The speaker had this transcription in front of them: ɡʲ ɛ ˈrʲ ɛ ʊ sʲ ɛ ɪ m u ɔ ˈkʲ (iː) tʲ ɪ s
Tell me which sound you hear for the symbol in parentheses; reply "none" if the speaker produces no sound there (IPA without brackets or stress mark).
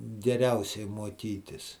iː